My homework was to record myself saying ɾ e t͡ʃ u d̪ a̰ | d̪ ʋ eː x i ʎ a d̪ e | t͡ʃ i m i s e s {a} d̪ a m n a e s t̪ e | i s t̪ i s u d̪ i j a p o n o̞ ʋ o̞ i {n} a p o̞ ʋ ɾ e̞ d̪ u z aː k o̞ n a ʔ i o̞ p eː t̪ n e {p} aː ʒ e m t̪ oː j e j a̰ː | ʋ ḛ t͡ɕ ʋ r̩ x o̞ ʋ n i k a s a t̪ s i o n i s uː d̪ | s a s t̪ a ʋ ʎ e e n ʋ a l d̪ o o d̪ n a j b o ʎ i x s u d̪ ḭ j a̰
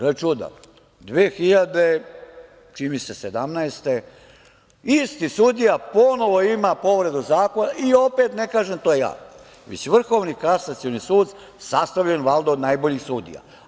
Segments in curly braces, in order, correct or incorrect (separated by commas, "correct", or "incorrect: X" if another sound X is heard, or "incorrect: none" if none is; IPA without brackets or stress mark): incorrect: e, incorrect: m, incorrect: k